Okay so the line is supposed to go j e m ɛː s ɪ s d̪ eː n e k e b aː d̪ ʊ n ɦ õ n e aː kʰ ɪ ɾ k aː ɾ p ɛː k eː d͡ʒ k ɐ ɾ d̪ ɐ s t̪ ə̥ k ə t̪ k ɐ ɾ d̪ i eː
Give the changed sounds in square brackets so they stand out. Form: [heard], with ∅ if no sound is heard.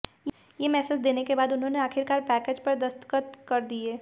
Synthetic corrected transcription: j e m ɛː s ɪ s d̪ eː n e k e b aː d̪ ʊ n ɦ õ n e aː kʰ ɪ ɾ k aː ɾ p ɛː k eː d͡ʒ [p] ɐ ɾ d̪ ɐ s t̪ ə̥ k ə t̪ k ɐ ɾ d̪ i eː